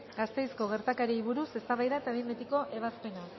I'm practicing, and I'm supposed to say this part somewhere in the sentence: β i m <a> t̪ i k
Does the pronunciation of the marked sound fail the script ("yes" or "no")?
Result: yes